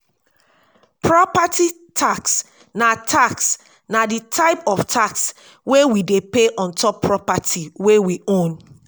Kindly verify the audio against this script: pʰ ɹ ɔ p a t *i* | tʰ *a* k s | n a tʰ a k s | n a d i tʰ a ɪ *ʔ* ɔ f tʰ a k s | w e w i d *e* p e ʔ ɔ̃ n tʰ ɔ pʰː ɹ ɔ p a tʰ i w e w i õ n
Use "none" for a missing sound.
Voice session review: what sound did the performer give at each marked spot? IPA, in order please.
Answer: i, a, p, e

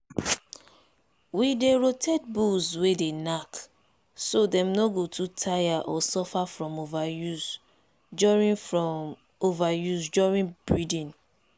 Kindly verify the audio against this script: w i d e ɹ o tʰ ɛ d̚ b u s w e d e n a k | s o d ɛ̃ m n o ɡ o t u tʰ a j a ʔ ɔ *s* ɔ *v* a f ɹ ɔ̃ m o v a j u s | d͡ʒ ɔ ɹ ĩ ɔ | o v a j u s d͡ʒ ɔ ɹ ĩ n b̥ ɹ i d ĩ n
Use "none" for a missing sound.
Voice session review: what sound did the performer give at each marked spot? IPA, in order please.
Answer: s, f

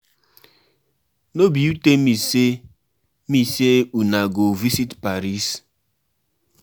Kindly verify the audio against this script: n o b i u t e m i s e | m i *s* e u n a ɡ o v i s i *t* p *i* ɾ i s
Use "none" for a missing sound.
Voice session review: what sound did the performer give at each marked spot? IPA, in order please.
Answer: s, t, a

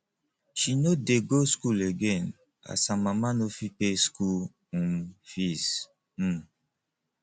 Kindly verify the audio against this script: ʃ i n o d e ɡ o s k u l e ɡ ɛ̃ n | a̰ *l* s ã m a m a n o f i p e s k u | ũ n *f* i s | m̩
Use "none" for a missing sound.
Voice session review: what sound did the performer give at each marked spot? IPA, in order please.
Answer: none, f

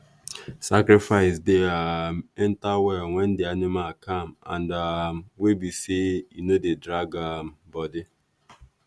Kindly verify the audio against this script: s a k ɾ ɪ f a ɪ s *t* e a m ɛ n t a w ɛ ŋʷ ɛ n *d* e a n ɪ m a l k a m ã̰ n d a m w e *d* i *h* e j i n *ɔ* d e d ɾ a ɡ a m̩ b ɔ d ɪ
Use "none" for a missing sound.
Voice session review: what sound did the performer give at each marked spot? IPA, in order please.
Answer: d, d, b, s, o

